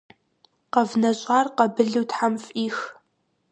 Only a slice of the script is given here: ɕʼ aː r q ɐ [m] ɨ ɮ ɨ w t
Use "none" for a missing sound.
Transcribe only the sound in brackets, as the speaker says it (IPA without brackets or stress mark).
b